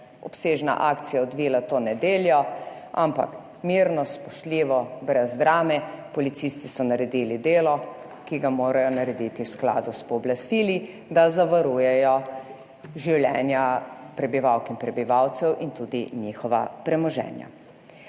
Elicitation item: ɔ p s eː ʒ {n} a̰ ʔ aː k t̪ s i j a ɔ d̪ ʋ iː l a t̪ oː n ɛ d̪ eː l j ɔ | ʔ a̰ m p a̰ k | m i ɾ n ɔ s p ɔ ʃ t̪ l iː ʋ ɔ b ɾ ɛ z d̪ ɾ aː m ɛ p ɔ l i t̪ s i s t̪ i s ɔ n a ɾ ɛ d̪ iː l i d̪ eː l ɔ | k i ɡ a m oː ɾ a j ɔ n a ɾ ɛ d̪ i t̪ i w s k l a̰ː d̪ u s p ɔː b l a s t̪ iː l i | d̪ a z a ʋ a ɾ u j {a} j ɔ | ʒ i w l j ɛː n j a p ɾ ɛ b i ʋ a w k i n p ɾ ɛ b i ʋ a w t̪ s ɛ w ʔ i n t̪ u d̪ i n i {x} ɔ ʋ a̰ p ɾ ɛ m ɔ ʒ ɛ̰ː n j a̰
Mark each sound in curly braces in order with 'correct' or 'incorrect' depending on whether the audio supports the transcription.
correct, incorrect: ɛ, correct

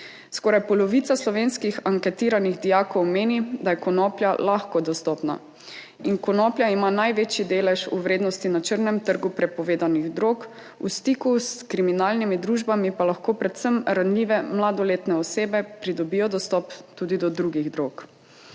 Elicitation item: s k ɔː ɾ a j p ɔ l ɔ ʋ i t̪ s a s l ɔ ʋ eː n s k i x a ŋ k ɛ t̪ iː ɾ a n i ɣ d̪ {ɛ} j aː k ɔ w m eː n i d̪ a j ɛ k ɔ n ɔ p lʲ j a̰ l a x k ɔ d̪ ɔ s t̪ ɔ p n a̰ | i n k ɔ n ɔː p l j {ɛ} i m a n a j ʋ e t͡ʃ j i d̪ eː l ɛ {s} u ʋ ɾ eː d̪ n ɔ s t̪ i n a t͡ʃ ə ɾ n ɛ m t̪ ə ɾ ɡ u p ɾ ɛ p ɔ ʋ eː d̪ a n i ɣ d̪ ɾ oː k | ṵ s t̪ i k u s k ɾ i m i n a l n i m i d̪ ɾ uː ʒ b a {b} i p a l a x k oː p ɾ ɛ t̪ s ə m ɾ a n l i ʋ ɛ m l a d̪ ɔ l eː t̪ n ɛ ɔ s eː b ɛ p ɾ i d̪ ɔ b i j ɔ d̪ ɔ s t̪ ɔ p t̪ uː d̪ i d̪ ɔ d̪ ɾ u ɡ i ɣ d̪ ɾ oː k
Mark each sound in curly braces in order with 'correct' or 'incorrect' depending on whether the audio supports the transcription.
incorrect: i, incorrect: a, incorrect: ʃ, incorrect: m

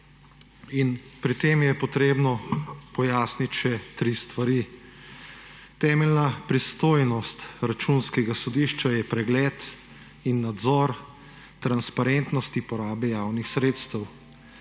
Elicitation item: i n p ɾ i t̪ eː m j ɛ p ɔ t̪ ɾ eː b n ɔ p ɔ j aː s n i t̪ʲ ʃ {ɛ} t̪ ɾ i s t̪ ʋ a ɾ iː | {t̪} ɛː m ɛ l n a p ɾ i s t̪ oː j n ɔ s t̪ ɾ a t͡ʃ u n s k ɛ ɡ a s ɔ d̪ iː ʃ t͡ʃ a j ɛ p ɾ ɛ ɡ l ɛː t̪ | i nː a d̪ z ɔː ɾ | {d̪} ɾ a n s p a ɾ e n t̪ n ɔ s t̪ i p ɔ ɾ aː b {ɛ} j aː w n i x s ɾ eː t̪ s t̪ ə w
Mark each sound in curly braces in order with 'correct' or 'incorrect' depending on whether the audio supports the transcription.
correct, correct, incorrect: t̪, correct

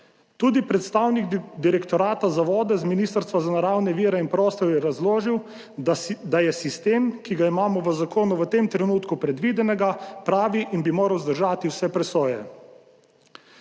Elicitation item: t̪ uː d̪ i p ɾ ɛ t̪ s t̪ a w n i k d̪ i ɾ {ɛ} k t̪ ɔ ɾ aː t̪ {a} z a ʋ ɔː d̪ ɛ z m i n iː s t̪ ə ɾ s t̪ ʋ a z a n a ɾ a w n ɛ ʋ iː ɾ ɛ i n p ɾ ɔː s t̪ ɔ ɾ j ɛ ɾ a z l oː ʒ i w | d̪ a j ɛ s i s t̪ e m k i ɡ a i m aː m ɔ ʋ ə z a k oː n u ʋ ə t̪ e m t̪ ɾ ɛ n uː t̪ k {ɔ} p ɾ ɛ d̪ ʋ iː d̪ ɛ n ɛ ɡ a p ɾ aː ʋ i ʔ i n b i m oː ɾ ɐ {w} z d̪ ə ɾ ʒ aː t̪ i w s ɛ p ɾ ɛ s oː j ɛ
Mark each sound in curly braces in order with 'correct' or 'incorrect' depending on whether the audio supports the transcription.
correct, correct, incorrect: u, correct

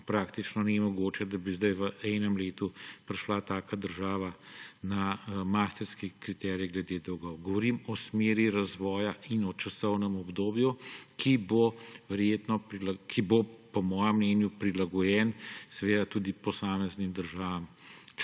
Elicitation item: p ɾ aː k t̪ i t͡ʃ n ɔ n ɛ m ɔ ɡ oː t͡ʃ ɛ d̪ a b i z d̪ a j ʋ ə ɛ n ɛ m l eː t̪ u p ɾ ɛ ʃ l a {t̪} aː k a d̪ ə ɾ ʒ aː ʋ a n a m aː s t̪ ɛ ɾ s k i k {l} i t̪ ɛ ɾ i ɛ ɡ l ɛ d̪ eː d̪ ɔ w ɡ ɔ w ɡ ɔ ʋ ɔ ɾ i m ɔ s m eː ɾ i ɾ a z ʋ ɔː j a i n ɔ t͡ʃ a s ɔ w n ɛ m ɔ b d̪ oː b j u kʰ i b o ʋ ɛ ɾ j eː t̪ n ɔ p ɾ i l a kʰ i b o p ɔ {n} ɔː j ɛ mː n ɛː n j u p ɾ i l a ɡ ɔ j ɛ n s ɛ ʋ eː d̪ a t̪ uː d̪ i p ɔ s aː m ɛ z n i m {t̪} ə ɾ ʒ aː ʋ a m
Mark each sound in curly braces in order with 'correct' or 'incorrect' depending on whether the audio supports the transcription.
correct, incorrect: ɾ, incorrect: m, incorrect: d̪

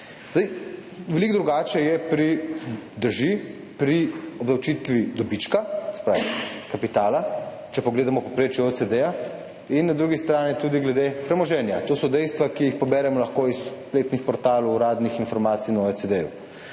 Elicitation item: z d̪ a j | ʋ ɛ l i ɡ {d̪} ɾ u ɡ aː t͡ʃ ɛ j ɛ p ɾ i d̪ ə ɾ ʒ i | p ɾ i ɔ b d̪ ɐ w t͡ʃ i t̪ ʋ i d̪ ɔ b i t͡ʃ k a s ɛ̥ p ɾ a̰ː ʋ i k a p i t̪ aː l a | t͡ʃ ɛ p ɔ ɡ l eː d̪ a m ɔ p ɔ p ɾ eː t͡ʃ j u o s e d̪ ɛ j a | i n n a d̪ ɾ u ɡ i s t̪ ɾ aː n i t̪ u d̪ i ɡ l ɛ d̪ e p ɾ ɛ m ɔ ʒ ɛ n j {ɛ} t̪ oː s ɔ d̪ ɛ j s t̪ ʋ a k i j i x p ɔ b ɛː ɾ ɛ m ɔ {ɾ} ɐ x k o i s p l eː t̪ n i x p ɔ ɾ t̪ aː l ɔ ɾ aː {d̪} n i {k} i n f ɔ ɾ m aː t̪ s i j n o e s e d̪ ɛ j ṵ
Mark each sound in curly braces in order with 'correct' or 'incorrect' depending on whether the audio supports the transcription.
correct, incorrect: a, incorrect: l, correct, incorrect: x

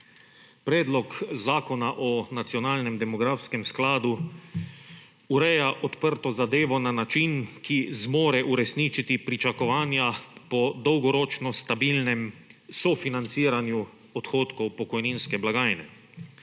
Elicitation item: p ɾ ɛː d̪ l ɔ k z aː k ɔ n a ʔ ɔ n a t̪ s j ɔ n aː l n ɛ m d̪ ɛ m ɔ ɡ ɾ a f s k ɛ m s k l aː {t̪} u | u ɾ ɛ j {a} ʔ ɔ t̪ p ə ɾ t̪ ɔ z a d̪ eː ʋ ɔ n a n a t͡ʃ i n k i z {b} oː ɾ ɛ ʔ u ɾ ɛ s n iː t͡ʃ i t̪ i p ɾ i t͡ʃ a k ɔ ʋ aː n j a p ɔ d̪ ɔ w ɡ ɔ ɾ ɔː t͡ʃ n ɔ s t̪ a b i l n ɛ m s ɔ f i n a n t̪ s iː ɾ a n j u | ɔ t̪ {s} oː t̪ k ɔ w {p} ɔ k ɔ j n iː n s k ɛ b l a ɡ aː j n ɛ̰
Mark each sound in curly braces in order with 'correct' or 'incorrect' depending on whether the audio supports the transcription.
incorrect: d̪, correct, incorrect: m, incorrect: x, correct

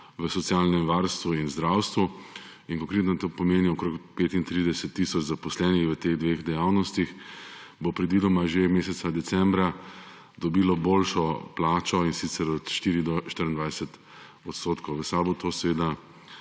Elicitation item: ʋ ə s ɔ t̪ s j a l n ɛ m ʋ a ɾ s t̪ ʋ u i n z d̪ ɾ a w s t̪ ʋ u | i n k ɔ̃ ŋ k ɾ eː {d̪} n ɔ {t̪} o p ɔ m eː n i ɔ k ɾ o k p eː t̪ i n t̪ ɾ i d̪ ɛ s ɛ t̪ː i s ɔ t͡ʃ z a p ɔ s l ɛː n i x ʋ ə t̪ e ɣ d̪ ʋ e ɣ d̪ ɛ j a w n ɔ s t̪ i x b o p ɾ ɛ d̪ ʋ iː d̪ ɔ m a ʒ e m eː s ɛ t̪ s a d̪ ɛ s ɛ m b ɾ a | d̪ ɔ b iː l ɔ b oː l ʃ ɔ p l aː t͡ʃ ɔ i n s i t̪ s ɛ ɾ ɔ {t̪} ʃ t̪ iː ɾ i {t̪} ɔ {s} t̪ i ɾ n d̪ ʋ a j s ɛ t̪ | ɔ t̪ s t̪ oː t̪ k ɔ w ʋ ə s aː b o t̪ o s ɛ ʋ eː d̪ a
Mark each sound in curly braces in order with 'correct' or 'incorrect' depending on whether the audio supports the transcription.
incorrect: t̪, correct, correct, incorrect: d̪, incorrect: ʃ

